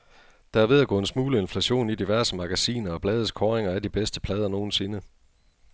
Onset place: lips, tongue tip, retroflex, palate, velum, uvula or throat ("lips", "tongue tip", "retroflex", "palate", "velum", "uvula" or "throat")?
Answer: tongue tip